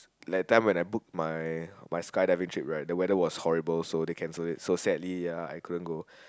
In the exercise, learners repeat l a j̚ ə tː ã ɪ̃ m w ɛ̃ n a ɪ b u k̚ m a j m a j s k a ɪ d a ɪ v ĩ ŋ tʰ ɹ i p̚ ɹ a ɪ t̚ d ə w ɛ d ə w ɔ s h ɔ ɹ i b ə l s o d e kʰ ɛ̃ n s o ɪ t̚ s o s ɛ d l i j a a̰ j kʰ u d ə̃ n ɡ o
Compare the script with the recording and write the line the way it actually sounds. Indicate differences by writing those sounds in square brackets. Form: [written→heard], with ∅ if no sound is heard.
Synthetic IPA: l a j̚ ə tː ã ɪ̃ m w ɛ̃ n a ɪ b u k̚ m a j m a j s k a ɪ d a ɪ v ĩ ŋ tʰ ɹ i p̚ ɹ a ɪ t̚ d ə w ɛ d ə w ɔ s h ɔ ɹ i b ə l s o d e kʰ ɛ̃ n s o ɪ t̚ s o s ɛ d l i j a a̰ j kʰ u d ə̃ n ɡ o